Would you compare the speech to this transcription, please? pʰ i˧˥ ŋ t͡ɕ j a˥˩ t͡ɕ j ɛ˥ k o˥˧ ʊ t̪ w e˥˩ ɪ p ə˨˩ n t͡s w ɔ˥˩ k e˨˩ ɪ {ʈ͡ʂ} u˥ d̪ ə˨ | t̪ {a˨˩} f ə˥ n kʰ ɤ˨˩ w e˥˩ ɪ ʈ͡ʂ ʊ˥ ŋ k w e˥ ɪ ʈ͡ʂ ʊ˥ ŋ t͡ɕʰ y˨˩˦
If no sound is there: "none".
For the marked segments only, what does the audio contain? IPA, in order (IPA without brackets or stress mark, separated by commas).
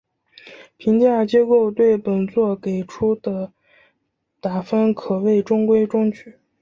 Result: ʈ͡ʂʰ, a˨˩